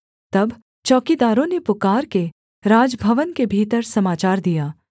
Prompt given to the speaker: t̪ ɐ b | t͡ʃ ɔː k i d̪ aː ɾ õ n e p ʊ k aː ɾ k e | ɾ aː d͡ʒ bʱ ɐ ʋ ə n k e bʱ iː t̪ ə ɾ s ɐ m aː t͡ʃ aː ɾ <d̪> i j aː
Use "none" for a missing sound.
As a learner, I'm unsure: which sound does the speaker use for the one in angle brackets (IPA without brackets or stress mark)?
d̪